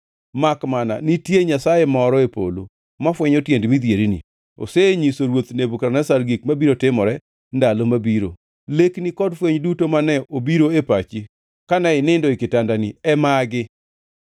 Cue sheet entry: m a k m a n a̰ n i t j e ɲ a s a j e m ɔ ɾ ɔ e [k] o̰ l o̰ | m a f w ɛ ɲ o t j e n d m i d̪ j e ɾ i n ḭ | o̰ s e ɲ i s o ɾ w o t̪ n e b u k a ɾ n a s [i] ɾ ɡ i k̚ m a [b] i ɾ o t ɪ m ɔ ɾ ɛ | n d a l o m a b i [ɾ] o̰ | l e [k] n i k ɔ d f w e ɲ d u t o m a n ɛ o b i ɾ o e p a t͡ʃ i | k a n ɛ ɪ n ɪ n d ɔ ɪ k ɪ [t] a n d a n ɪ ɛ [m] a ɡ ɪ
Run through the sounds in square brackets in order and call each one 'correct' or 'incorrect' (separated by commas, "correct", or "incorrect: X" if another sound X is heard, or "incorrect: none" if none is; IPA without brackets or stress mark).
incorrect: p, incorrect: a, correct, correct, correct, correct, correct